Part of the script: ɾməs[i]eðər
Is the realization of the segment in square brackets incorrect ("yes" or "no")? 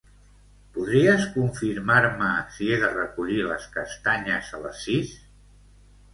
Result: no